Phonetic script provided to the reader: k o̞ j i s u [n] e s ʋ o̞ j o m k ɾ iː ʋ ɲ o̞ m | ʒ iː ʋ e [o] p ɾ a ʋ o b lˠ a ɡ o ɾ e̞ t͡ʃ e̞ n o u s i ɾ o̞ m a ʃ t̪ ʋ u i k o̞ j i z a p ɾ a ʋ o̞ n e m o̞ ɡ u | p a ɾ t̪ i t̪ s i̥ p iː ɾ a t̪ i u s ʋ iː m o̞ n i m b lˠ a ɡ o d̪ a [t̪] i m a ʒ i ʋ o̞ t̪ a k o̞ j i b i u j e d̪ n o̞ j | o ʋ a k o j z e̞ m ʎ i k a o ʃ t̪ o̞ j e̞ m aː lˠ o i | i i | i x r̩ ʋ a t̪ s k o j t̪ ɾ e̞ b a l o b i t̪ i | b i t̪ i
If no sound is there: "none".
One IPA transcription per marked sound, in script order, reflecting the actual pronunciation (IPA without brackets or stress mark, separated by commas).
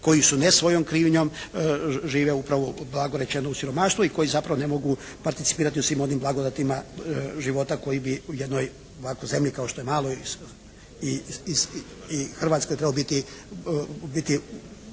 n, u, t̪